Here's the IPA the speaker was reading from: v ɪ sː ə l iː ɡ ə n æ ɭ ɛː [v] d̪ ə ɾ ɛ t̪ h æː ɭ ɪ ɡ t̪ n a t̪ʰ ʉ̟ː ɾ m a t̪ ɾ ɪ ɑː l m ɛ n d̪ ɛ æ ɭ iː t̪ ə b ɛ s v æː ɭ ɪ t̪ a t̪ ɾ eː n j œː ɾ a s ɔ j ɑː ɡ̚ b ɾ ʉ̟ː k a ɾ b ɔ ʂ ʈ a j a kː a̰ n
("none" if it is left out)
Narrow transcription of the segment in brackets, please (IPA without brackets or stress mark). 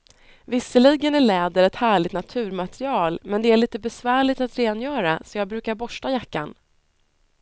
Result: none